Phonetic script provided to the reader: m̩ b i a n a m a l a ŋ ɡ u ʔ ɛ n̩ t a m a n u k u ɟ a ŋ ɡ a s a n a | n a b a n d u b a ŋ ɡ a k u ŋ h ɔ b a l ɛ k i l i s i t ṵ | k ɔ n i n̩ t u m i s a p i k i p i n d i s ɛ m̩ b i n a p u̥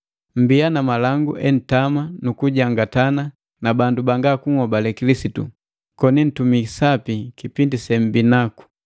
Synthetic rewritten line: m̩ b i a n a m a l a ŋ ɡ u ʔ ɛ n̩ t a m a n u k u ɟ a ŋ ɡ a t a n a | n a b a n d u b a ŋ ɡ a k u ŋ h ɔ b a l ɛ k i l i s i t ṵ | k ɔ n i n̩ t u m i s a p i k i p i n d i s ɛ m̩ b i n a k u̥